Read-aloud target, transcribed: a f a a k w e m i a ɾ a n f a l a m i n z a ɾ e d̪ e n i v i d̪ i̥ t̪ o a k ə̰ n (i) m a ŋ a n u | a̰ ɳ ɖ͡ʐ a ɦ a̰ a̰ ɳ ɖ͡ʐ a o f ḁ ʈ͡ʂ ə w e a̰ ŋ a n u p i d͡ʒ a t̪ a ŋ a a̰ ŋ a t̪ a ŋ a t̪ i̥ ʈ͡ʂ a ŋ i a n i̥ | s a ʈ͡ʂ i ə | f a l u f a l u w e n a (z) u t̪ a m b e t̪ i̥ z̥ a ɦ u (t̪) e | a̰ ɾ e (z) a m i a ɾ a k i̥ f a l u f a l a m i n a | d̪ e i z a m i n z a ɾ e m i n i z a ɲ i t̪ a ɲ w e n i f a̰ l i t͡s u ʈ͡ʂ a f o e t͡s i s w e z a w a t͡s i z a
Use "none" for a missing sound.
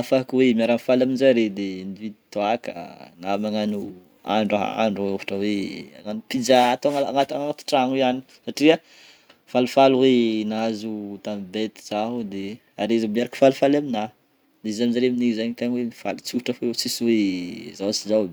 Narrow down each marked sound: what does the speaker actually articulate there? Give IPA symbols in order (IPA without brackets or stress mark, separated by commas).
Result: a, z, d̪, z